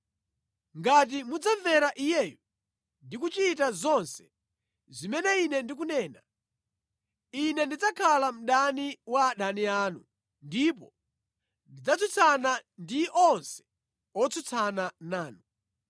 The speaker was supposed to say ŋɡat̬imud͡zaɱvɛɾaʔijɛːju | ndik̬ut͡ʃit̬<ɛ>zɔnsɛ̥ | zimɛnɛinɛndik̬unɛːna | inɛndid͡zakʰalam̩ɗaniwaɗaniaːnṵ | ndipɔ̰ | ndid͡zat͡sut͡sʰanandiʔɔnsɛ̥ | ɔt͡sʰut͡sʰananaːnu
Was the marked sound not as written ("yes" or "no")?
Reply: yes